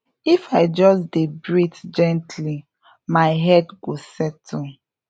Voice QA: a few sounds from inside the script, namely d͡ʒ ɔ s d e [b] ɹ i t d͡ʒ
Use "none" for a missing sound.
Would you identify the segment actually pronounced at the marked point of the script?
b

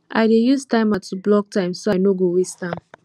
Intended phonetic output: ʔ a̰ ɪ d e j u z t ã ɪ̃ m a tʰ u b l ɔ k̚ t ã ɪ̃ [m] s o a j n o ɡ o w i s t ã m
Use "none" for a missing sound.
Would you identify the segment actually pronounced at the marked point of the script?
m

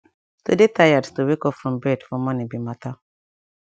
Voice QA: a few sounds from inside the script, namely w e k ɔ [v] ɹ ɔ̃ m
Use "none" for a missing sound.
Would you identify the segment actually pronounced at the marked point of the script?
f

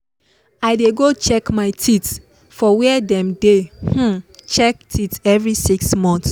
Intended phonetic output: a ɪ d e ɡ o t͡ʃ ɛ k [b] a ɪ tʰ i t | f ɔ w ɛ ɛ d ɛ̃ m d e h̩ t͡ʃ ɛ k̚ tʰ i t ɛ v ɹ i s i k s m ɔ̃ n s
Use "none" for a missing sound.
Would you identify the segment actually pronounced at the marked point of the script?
m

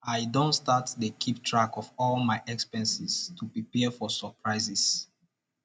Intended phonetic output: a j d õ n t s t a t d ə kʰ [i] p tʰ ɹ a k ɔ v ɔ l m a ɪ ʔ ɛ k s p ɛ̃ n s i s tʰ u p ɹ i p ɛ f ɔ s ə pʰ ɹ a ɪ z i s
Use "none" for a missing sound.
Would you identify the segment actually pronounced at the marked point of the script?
i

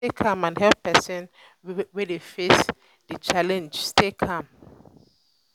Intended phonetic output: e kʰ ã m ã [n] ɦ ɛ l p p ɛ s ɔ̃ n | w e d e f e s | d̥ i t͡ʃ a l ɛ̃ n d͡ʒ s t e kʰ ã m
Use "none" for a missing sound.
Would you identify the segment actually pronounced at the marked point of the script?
n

